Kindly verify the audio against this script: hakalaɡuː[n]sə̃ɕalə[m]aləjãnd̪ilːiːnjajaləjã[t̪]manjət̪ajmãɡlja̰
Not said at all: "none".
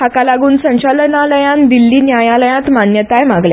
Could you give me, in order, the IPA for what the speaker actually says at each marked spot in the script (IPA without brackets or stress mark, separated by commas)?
n, n, t̪